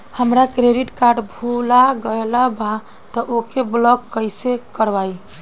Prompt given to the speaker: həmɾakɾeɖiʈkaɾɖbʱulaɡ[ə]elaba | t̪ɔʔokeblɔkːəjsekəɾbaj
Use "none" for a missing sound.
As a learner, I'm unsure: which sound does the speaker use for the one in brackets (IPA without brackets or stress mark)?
ə